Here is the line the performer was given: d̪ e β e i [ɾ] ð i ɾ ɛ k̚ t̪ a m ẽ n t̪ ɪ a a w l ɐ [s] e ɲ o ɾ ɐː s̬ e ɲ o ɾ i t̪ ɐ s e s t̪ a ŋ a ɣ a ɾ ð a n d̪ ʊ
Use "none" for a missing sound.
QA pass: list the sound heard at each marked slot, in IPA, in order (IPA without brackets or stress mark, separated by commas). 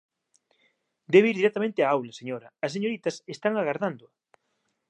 ɾ, s